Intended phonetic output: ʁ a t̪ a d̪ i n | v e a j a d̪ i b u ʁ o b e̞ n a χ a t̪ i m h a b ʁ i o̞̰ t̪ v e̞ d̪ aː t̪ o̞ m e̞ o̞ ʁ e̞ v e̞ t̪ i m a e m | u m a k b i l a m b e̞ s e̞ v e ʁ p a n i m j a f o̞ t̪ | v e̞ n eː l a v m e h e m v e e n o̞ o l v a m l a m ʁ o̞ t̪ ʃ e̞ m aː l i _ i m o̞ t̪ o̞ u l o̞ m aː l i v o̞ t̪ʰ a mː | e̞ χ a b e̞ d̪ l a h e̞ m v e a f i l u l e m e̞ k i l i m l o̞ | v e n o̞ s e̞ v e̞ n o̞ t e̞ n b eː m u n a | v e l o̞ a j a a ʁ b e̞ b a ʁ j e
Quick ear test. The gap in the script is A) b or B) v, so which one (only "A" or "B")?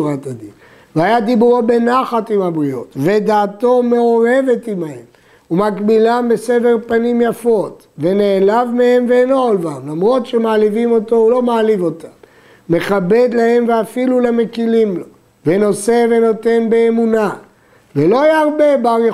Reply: B